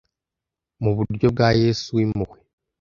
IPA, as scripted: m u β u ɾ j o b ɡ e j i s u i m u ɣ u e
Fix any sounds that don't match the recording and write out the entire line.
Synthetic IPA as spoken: m u β u ɾ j o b ɡ a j e s u i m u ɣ w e